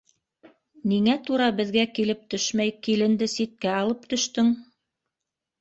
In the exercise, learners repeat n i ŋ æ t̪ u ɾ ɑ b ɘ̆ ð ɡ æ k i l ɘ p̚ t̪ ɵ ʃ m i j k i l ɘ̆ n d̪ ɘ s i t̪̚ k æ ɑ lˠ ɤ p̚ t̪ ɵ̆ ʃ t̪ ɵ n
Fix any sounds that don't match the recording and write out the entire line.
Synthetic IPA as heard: n i ŋ æ t̪ u ɾ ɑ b ɘ̆ ð ɡ æ k i l ɘ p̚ t̪ ɵ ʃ m æ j k i l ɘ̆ n d̪ ɘ s i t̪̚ k æ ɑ lˠ ɤ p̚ t̪ ɵ̆ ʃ t̪ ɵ ŋ